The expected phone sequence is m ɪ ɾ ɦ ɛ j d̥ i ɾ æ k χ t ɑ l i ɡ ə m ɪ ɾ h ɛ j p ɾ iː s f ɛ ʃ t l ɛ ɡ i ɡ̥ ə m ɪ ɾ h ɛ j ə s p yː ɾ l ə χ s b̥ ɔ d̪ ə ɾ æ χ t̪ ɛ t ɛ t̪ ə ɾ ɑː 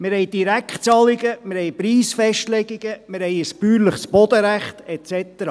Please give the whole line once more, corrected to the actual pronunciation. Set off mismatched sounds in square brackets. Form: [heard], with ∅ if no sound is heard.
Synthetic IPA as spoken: m ɪ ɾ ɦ ɛ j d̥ i ɾ æ k χ [t͡s] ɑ l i ɡ ə m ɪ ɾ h ɛ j p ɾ iː s f ɛ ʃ t l ɛ ɡ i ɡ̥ ə m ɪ ɾ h ɛ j ə s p yː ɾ l ə χ s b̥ ɔ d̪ ə ɾ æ χ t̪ ɛ [t͡s] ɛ t̪ ə ɾ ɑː